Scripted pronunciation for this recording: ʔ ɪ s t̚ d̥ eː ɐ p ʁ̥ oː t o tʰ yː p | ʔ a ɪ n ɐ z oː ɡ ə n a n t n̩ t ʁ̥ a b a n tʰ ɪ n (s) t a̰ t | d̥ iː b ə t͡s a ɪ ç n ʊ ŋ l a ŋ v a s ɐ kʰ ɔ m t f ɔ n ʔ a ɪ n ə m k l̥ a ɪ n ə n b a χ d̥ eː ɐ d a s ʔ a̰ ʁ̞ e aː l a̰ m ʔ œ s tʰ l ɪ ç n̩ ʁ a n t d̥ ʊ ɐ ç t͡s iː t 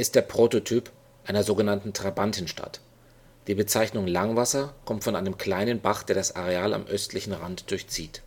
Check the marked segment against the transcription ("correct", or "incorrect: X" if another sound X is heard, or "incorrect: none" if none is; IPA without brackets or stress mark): incorrect: ʃ